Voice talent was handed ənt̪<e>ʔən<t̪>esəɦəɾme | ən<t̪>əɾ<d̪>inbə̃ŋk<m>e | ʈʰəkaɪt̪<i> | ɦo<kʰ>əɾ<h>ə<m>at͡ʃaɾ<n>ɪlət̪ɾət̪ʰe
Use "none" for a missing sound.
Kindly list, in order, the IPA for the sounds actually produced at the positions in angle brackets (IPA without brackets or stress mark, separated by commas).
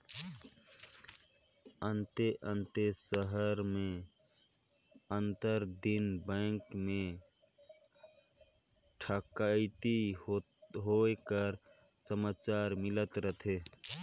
e, t̪, t̪, d̪, m, i, k, s, m, m